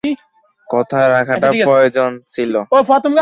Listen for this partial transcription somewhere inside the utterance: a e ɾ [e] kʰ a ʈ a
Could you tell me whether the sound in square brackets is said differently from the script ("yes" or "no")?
yes